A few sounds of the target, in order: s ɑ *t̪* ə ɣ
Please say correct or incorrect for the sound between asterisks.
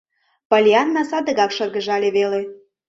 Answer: incorrect